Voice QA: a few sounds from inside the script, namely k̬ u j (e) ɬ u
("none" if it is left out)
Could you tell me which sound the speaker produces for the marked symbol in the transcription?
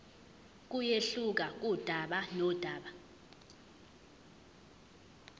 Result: e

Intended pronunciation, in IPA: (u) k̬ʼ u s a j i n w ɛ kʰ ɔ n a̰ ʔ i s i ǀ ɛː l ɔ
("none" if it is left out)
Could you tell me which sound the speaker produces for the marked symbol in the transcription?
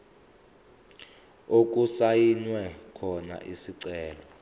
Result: o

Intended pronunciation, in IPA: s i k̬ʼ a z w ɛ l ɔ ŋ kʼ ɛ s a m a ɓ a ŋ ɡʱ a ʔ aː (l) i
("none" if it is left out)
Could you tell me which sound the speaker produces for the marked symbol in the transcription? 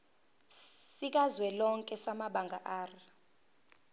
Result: r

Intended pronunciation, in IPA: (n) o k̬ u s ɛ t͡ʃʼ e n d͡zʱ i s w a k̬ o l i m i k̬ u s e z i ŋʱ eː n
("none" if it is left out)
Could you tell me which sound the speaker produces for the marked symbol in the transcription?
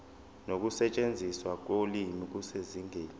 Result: n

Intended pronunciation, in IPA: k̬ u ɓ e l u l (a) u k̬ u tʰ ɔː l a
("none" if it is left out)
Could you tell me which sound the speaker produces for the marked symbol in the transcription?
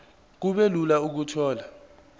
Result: a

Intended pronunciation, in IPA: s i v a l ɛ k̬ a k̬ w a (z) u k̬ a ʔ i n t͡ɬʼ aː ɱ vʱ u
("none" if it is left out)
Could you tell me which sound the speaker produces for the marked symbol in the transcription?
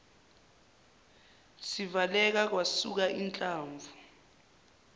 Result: s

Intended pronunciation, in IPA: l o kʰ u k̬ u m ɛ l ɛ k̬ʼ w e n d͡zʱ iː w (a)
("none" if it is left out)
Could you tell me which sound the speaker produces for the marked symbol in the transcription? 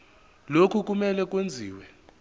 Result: ɛ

